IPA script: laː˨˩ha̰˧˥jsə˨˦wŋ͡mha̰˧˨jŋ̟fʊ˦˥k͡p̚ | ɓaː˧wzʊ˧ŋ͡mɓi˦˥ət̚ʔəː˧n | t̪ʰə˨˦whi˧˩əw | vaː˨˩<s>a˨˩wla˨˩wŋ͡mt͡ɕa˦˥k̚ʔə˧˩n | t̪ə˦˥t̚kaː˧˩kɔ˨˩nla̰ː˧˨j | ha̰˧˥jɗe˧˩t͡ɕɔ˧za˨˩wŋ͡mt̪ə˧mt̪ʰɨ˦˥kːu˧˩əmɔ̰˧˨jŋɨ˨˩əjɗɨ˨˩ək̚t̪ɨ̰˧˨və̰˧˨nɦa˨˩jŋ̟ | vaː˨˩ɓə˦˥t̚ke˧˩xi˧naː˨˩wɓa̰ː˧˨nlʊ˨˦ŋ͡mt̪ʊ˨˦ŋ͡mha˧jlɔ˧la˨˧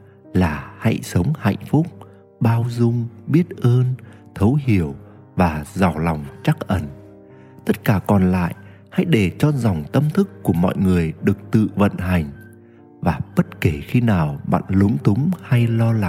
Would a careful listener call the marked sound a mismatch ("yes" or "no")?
yes